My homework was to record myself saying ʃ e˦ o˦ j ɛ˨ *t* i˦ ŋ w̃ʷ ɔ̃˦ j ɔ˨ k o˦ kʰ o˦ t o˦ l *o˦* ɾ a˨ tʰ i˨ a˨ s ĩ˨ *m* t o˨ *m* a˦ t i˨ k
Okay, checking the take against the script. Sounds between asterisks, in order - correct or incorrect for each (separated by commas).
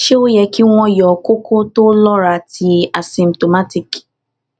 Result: incorrect, incorrect, correct, correct